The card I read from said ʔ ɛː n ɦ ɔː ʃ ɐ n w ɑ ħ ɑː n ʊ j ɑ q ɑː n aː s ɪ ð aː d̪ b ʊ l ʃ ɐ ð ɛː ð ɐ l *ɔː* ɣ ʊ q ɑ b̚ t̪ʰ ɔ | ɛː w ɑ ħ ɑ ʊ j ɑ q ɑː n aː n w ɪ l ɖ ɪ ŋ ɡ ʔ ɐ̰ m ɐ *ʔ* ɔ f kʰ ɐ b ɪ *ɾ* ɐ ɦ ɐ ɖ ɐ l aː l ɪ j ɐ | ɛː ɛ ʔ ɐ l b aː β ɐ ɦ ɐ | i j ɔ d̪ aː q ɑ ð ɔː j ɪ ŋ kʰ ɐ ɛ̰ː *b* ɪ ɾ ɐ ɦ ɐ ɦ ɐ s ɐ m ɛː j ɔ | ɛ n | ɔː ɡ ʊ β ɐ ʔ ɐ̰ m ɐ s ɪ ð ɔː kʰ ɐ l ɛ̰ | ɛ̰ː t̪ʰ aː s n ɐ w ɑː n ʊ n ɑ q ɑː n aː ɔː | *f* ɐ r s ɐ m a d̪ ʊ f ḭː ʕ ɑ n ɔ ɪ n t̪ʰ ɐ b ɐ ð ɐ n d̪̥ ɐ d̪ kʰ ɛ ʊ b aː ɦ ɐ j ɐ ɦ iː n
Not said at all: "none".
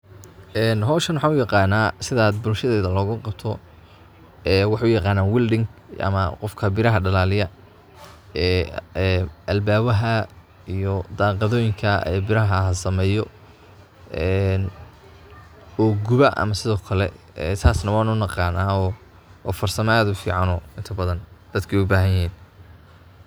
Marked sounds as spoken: ɔː, q, ɾ, b, f

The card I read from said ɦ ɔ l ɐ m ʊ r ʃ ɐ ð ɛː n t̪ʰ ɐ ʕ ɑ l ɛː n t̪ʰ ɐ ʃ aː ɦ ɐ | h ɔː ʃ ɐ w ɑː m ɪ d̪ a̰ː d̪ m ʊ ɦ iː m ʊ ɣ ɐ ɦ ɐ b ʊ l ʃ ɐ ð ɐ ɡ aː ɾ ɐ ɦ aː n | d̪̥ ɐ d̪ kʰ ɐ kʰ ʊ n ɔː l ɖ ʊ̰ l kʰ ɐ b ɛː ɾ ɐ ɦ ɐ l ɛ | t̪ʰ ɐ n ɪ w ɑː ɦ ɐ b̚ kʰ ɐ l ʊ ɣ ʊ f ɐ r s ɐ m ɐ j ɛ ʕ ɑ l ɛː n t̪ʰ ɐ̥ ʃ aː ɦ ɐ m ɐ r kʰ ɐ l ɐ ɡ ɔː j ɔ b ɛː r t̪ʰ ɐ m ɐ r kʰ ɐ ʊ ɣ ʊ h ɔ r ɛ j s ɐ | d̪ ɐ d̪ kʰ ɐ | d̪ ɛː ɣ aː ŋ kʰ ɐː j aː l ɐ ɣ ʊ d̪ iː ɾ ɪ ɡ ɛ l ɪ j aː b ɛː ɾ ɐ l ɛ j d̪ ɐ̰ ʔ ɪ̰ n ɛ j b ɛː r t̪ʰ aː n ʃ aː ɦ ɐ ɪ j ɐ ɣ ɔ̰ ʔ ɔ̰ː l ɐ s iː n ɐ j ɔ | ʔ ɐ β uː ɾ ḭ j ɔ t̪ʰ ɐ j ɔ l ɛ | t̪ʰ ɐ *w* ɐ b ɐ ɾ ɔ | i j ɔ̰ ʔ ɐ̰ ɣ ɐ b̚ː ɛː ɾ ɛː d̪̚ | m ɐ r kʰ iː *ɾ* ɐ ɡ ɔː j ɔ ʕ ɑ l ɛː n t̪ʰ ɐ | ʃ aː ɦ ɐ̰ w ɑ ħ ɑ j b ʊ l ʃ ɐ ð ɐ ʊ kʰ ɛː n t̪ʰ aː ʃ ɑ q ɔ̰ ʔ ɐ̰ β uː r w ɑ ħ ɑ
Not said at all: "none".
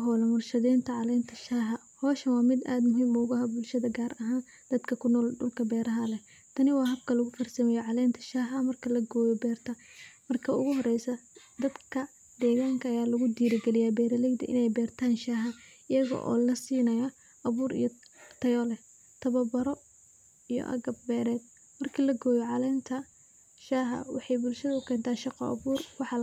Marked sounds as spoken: β, l

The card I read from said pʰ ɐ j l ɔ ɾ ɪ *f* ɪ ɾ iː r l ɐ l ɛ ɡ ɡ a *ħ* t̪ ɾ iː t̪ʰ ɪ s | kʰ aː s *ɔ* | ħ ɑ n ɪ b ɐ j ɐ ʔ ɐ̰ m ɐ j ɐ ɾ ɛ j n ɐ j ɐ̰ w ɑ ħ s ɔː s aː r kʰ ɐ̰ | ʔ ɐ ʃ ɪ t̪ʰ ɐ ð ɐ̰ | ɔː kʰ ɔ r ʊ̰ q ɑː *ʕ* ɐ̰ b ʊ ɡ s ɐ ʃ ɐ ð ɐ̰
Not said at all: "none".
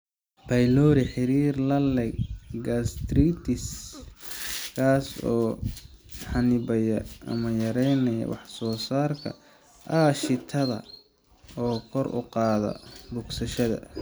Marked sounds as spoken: ħ, s, ɔː, ð

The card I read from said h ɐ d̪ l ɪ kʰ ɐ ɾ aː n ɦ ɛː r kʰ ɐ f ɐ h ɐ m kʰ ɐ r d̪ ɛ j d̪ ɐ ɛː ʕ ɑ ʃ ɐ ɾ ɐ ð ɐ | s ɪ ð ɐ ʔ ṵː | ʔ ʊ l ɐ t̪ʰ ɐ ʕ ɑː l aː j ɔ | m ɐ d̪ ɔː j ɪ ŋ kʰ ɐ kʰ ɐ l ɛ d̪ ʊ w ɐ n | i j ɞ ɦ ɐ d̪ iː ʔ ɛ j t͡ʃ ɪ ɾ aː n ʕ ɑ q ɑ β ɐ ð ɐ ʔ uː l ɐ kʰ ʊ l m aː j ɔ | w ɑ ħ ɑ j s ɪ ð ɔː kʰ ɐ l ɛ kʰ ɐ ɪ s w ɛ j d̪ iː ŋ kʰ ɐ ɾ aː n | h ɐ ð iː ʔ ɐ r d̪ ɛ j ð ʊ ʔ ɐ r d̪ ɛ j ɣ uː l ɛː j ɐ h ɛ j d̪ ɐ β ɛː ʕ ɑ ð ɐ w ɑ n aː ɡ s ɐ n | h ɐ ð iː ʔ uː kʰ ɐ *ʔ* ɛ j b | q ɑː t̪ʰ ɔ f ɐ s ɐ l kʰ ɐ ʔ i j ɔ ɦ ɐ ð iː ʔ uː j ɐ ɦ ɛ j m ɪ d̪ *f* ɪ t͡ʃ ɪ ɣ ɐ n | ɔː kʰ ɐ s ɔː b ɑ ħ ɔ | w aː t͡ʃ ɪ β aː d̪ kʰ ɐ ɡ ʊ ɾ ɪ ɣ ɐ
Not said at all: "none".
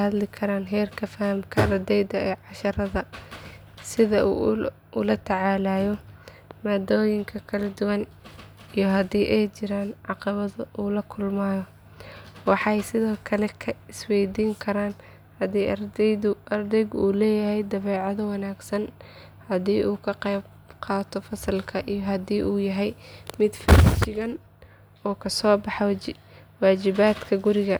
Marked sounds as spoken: q, f

